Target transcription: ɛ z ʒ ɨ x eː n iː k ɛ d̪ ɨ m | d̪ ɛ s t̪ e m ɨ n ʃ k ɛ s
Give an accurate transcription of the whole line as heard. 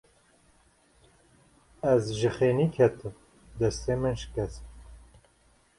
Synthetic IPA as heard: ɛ z ʒ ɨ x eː n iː kʰ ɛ t̪ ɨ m | d̪ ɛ s t̪ e m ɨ n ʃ k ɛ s